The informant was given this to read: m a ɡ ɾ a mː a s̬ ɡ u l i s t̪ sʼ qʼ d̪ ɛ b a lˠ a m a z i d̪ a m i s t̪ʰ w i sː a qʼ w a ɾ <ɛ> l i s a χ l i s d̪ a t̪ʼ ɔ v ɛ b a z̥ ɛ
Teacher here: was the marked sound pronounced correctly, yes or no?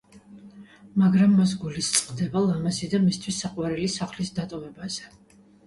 yes